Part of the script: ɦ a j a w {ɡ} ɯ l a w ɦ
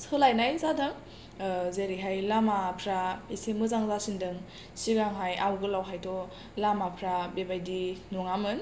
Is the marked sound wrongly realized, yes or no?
no